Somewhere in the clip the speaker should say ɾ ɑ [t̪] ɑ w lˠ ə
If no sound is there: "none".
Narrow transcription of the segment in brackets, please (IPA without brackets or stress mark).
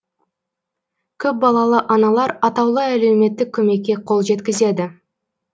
t̪